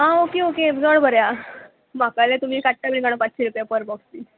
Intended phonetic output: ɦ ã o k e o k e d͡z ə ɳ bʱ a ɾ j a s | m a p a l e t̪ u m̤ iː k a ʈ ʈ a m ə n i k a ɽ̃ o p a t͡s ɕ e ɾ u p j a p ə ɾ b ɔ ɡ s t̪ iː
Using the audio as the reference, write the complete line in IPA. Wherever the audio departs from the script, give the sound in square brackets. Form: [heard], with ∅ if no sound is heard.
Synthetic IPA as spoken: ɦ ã o k e o k e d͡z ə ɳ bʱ [ə] ɾ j a [∅] | m a [k] a l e t̪ u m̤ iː k a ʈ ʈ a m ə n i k a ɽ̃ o p a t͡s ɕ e ɾ u p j a p ə ɾ b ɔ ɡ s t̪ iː